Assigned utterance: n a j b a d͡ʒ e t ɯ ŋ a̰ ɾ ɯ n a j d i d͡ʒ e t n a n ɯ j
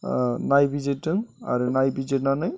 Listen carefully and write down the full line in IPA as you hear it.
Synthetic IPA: n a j b i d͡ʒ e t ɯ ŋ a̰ ɾ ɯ n a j b i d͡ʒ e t n a n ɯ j